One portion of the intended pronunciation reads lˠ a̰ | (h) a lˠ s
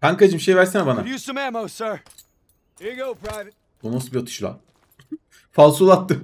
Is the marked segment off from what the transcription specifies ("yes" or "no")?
yes